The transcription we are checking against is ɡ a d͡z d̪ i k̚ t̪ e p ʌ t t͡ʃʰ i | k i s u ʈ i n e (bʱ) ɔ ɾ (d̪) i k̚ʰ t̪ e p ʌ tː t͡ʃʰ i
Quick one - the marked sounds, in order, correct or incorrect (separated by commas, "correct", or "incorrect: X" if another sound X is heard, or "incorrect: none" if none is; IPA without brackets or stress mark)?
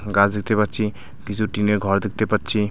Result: incorrect: ɡʱ, correct